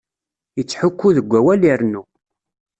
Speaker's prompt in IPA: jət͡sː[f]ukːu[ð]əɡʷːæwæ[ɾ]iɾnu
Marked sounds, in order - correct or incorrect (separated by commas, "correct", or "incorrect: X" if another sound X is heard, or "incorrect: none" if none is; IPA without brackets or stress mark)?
incorrect: ħ, correct, incorrect: l